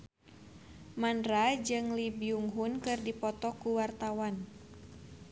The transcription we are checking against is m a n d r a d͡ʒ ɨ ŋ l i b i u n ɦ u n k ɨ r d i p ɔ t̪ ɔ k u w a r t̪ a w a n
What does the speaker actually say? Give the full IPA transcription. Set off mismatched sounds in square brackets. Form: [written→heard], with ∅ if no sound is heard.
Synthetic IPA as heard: m a n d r a d͡ʒ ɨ ŋ l i b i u [n→ŋ] ɦ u n k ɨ r d i p ɔ t̪ ɔ k u w a r t̪ a w a n